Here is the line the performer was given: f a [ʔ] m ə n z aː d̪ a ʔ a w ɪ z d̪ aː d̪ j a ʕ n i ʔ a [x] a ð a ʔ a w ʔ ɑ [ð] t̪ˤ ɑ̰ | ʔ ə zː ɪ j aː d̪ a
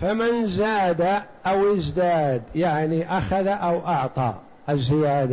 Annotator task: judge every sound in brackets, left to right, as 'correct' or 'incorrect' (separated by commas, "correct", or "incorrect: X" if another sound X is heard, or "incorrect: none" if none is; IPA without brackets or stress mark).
incorrect: none, correct, incorrect: ʕ